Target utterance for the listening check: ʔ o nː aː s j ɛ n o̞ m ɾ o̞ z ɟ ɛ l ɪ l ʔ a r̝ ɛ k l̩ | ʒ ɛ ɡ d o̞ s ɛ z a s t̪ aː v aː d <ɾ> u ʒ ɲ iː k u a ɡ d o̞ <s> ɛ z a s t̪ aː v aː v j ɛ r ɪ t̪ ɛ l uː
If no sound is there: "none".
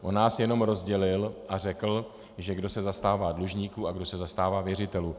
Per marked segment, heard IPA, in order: l, s

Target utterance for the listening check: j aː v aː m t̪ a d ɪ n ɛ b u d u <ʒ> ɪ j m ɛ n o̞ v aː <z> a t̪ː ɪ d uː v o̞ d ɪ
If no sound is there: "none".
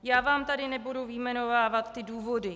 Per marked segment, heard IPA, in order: v, v

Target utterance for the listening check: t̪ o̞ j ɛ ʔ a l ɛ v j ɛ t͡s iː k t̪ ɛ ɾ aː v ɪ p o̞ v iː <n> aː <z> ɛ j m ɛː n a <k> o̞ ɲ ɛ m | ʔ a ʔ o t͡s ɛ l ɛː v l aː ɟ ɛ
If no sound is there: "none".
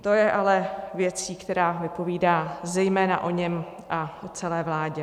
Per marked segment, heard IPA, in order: d, z, ʔ

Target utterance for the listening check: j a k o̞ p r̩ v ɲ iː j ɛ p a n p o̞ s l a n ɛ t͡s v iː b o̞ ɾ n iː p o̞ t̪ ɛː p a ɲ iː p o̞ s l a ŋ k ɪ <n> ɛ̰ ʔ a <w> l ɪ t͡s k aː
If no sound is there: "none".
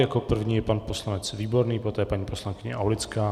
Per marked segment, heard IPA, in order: ɲ, w

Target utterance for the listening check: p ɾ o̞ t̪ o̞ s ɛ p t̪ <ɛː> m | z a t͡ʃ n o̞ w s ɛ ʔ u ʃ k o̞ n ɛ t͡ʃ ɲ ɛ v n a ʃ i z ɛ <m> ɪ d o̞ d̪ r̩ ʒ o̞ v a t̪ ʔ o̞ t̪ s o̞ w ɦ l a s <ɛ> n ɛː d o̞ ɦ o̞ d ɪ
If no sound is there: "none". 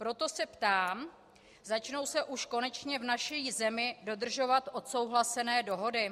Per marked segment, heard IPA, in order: aː, m, ɛ

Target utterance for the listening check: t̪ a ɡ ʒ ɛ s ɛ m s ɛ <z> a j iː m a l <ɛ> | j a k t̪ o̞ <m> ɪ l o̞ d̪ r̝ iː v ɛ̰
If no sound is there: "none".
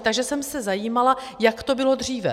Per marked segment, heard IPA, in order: z, a, b

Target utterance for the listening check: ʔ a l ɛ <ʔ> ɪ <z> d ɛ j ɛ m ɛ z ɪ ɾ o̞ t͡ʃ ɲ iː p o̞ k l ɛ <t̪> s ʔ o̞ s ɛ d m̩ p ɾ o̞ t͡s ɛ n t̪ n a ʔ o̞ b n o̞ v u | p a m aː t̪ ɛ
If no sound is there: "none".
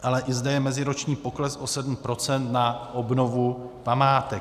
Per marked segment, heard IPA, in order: ʔ, z, none

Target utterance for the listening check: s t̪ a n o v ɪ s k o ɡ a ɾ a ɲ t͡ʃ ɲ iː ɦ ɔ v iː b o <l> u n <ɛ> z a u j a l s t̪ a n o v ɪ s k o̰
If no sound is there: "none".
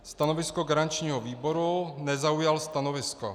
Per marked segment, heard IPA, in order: ɾ, ɛ

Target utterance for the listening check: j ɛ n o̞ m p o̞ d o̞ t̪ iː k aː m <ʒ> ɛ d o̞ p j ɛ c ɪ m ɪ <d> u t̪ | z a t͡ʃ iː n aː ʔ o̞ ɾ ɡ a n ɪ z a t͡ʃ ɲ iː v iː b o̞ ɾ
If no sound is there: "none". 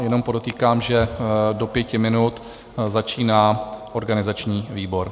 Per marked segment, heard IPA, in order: ʒ, n

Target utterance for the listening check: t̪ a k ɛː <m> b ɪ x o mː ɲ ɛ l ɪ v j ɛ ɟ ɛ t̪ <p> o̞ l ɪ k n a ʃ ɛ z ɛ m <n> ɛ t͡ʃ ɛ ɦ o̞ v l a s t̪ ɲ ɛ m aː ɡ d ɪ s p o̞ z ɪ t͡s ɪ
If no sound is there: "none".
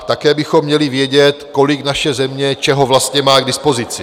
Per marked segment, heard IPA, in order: none, k, ɲ

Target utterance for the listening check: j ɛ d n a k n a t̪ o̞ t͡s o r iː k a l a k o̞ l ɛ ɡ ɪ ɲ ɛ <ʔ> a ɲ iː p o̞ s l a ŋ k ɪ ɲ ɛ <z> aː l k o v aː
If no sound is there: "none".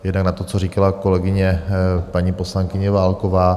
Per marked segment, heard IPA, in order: p, v

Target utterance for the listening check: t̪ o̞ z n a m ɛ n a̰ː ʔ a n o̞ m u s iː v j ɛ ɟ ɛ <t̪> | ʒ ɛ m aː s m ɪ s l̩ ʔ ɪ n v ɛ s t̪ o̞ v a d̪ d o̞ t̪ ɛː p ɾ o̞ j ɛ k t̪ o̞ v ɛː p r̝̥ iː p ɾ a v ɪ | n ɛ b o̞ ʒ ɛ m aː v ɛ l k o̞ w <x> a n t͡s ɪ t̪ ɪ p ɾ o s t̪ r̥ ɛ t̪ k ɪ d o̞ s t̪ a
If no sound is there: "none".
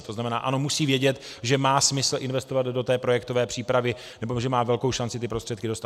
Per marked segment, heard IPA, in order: t̪, ʃ

